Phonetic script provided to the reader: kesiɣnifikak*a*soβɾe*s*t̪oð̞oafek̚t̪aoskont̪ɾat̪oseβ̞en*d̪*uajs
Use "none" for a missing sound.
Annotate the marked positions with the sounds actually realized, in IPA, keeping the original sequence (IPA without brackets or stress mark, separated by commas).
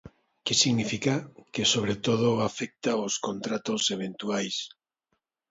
e, none, t̪